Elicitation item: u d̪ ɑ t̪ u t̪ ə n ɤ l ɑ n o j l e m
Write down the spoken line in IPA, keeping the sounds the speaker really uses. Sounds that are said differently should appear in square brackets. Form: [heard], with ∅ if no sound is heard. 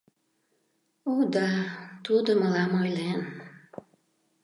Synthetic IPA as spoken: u d̪ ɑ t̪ u [d̪] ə [m] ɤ l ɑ [m] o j l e [n]